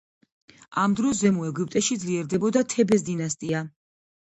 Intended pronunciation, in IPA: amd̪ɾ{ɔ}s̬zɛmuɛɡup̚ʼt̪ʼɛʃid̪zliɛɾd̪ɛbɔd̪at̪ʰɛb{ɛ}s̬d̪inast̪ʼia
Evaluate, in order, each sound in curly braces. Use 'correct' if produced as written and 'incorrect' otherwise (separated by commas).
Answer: correct, correct